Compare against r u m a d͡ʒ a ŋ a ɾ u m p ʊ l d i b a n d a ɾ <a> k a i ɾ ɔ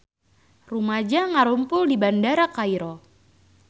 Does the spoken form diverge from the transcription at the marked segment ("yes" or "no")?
no